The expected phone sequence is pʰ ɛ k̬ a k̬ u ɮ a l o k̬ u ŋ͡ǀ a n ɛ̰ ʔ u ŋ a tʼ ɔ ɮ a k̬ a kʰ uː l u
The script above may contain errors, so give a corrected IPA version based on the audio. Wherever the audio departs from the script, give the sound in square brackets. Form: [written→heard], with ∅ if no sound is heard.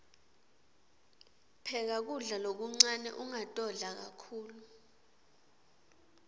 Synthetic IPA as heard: pʰ ɛ k̬ a k̬ u ɮ a l o k̬ u ŋ͡ǀ a n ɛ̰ ʔ u ŋ a tʼ ɔ ɮ a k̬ a kʰ uː l u